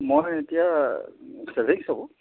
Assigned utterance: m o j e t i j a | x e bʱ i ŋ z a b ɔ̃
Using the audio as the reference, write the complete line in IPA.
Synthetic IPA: m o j e t i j a | s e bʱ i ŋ s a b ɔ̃